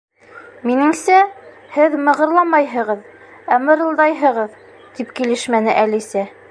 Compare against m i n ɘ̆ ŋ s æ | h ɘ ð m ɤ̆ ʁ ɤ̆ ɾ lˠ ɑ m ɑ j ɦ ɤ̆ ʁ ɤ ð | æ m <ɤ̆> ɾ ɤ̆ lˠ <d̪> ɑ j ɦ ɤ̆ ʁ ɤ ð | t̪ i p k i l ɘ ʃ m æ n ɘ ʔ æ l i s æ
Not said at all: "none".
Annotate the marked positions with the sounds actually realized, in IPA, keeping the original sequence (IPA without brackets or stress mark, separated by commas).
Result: ɤ̆, d̪